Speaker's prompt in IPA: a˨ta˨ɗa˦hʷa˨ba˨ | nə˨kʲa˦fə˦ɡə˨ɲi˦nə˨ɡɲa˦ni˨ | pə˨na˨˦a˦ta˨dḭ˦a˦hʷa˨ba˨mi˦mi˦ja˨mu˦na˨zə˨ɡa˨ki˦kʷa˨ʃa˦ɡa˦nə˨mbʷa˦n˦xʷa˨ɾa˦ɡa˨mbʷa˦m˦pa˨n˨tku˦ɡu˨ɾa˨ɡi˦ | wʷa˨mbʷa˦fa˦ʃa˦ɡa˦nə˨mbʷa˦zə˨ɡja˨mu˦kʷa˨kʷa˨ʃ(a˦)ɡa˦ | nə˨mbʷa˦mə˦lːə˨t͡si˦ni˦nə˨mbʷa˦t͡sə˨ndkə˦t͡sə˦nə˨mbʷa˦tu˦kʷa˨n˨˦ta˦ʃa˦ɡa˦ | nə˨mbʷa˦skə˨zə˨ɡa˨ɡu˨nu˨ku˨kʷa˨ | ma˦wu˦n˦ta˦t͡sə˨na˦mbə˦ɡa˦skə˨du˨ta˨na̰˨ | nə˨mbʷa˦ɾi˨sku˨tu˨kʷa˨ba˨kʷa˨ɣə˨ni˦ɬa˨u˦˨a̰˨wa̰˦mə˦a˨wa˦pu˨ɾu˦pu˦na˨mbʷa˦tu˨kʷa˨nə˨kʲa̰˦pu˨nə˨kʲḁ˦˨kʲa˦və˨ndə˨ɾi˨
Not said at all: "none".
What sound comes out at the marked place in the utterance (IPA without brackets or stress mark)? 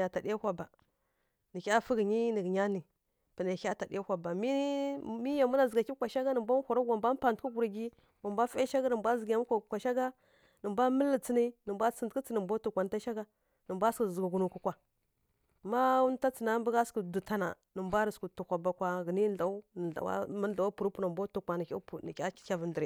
a˦